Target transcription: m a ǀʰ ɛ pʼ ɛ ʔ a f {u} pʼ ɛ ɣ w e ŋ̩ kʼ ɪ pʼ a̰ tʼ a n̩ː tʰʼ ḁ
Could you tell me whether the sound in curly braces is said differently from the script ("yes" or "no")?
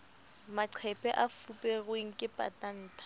no